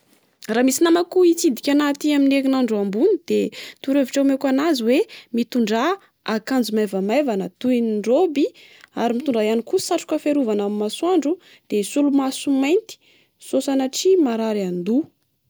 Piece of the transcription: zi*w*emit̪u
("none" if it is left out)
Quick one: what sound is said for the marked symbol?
w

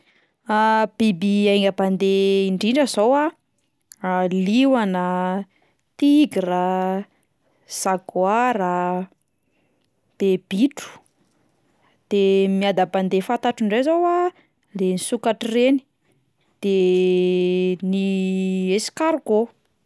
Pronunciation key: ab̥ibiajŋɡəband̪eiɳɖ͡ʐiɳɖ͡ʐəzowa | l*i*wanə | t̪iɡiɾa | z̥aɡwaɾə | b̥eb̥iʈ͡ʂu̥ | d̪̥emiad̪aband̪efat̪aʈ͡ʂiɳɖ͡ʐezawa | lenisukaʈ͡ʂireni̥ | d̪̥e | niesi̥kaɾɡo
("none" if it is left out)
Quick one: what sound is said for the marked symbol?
i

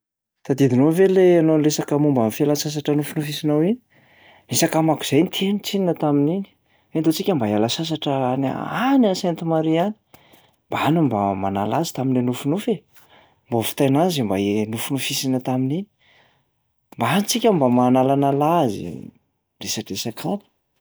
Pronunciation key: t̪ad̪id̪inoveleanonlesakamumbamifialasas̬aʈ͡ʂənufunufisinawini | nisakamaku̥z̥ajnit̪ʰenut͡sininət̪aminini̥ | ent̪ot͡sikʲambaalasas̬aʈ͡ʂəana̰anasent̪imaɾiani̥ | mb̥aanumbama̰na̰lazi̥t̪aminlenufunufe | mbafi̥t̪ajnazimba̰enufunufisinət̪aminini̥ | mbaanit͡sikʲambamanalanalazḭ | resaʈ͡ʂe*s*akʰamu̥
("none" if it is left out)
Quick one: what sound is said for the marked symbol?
s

